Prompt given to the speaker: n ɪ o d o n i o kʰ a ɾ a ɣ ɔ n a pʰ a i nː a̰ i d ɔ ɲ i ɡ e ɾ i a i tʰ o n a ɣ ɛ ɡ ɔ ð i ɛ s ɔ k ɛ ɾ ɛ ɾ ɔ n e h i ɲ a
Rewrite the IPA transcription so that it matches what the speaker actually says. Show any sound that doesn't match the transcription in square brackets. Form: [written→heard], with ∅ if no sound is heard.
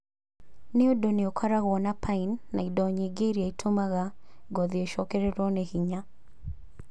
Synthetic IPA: n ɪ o d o n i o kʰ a ɾ a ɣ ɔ n a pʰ a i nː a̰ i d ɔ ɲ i ɡ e ɾ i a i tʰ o [n→m] a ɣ [ɛ→a] ɡ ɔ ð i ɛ [s→ʃ] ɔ k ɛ ɾ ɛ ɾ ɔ n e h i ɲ a